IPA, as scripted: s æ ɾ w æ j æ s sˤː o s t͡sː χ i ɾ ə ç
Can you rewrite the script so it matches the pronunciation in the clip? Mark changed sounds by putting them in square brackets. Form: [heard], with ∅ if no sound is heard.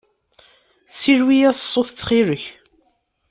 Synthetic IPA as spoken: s [i] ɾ w [i] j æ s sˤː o [θ] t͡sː χ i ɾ ə ç